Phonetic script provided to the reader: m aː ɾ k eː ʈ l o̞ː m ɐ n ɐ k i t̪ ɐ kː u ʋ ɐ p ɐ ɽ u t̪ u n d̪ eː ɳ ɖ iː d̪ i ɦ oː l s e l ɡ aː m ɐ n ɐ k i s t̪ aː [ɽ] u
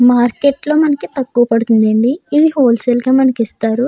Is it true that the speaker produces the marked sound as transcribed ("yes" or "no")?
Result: no